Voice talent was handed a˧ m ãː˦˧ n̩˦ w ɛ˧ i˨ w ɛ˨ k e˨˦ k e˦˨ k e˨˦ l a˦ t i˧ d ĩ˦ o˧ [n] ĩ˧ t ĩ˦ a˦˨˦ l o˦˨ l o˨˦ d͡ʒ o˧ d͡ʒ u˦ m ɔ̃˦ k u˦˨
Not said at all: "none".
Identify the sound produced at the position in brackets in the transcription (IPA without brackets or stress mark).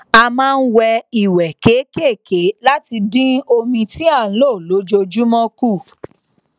m